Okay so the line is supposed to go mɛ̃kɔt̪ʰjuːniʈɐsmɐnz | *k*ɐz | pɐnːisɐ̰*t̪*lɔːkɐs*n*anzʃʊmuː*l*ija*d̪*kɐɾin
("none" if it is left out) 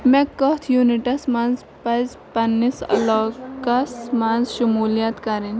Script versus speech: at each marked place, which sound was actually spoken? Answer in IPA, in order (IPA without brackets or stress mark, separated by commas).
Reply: p, none, m, l, t̪